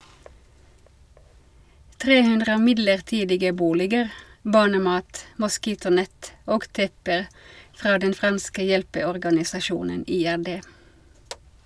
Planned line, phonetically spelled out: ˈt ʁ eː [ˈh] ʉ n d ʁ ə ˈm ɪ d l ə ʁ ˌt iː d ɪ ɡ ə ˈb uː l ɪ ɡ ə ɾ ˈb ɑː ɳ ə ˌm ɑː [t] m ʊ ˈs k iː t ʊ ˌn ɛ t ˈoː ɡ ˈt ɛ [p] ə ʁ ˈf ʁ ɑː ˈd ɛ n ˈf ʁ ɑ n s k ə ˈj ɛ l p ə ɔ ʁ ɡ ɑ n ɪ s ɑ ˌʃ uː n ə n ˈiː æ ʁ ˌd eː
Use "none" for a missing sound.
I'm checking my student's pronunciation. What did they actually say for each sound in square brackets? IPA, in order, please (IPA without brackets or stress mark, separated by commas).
h, t, p